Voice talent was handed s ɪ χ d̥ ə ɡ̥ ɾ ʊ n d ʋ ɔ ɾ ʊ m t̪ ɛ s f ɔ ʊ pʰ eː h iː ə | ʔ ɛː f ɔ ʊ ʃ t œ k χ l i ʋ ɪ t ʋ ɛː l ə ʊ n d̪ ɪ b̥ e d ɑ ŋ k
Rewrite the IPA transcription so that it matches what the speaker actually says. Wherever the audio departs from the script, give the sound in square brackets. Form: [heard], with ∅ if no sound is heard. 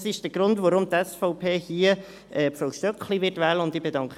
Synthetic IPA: s ɪ [ʃ] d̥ ə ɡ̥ ɾ ʊ n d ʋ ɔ ɾ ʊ m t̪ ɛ s f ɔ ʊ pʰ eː h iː ə | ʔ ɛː f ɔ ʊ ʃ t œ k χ l i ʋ ɪ t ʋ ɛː l ə ʊ n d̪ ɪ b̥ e d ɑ ŋ k